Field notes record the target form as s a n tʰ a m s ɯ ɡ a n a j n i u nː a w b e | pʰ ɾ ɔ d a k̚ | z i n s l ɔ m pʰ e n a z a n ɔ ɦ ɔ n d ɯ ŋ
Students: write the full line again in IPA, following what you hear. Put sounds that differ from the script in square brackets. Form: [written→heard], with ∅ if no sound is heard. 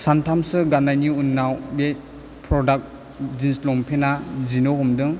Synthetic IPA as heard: s a n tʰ a m s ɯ ɡ a n a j n i u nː a w b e | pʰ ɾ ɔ d a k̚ | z i n s l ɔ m pʰ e n a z [a→i] n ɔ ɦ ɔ [n→m] d ɯ ŋ